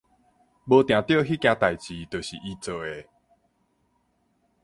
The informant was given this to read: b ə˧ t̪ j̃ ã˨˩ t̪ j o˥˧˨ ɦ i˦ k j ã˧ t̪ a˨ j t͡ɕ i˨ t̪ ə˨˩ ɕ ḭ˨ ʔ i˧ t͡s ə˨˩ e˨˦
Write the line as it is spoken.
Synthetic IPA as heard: b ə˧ t̪ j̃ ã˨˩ t̪ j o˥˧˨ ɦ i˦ k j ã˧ t̪ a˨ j t͡ɕ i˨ t̪ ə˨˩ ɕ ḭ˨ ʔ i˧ t͡s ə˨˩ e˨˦